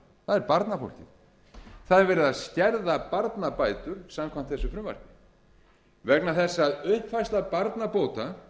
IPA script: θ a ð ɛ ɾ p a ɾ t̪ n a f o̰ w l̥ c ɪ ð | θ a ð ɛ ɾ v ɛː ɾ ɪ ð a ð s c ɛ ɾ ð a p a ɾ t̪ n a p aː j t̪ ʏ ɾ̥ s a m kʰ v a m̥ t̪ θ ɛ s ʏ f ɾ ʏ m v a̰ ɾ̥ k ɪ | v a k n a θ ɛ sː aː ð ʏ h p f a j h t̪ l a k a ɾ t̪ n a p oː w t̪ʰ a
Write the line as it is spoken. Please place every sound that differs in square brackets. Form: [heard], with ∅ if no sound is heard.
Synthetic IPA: θ a ð ɛ ɾ p a ɾ t̪ n a f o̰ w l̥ c ɪ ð | θ a ð ɛ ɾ v ɛː ɾ ɪ ð a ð s c ɛ ɾ ð a p a ɾ t̪ n a p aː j t̪ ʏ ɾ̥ s a m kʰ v a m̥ t̪ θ ɛ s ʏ f ɾ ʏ m v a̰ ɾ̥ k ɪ | v [ɛ] k n a θ ɛ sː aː ð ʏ h p f a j [s] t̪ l a [p] a ɾ t̪ n a p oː w [t̪] a

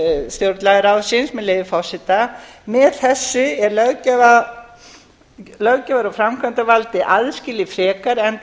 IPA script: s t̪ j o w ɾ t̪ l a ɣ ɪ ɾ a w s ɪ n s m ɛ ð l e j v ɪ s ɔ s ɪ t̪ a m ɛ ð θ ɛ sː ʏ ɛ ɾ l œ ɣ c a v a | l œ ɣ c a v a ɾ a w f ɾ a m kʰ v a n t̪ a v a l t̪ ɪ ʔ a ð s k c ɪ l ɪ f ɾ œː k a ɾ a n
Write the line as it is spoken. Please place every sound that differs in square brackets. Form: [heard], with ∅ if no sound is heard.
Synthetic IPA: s t̪ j o w ɾ t̪ l a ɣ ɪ ɾ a w s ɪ n s m ɛ ð l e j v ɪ [f] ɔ s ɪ t̪ a m ɛ ð θ ɛ sː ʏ ɛ ɾ l œ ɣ c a v a | l œ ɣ c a v a ɾ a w f ɾ a m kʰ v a n t̪ a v a l t̪ ɪ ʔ a ð s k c ɪ l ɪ f ɾ [ɛː] k a ɾ [ɛ] n

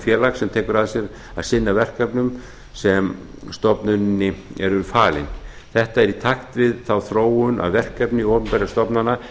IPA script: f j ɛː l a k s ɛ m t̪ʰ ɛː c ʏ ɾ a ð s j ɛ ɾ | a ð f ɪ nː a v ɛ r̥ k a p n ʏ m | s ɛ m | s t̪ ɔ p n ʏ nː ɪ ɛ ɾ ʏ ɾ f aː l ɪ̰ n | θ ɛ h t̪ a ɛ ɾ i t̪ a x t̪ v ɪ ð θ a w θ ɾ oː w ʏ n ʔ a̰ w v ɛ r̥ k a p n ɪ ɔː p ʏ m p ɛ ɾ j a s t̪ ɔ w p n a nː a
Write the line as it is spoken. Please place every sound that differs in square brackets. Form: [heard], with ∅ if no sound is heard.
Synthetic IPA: f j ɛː l a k s ɛ m t̪ʰ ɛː [k] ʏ ɾ a ð s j ɛ ɾ | a ð [s] ɪ nː a v ɛ r̥ k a p n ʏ m | s ɛ m | s t̪ ɔ p n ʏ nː ɪ ɛ ɾ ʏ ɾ f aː l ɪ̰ n | θ ɛ h t̪ a ɛ ɾ i [t̪ʰ] a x t̪ v ɪ ð θ a w θ ɾ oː w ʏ n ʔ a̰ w v ɛ r̥ k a p n ɪ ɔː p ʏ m p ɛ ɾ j a s t̪ ɔ [∅] p n a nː a

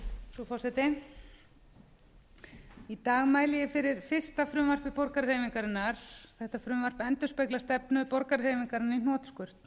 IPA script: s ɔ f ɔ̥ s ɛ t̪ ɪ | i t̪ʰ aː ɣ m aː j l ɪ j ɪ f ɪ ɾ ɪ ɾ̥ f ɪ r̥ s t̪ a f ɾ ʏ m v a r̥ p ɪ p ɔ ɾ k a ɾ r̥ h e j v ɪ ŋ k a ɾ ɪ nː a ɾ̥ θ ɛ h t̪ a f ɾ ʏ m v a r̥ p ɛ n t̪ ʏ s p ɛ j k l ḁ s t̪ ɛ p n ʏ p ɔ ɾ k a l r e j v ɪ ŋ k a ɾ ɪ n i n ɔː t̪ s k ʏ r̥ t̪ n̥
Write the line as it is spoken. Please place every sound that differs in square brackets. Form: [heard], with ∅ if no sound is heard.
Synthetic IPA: s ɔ f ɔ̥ s ɛ t̪ ɪ | i [t̪] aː ɣ m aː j l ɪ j ɪ f ɪ ɾ ɪ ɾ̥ f ɪ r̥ s t̪ a f ɾ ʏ m v a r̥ p ɪ p ɔ ɾ k a ɾ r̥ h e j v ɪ ŋ k a ɾ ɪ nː a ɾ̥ θ ɛ h t̪ a f ɾ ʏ m v a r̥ p ɛ n t̪ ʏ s p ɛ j k l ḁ s t̪ ɛ p n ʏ p ɔ ɾ k a [ɾ] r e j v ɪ ŋ k a ɾ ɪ n i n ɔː t̪ s k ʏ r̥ t̪ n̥

